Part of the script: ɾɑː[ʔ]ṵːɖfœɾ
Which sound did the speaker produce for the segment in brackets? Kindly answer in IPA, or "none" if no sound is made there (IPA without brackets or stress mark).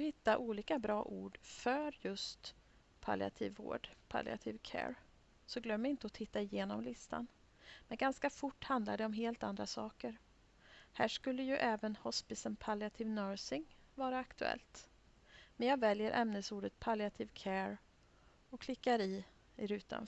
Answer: ʔ